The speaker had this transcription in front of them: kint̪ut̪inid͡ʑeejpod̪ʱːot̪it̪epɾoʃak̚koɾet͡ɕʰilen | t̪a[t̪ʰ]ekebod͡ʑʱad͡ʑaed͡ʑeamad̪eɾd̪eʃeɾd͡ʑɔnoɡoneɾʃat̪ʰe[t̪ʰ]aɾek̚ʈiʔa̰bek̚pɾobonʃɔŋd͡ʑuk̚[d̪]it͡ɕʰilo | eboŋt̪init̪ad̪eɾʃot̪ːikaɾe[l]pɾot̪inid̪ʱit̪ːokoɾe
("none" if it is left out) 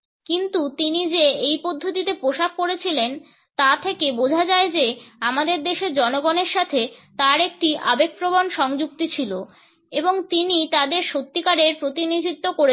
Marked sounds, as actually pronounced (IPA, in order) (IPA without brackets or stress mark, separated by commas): t̪ʰ, t̪, t̪, ɾ